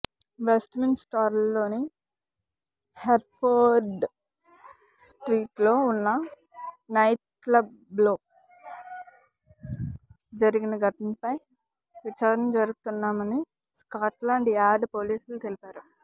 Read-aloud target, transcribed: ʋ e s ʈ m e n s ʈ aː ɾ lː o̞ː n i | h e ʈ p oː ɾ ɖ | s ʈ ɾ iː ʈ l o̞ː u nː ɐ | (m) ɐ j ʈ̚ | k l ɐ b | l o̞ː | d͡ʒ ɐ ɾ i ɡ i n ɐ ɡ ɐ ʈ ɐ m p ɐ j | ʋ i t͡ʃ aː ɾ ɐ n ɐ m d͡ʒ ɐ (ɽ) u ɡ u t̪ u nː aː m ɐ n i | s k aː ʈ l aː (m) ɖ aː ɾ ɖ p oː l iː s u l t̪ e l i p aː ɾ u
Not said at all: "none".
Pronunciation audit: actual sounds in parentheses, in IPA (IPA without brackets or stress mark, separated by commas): n, ɾ, ɳ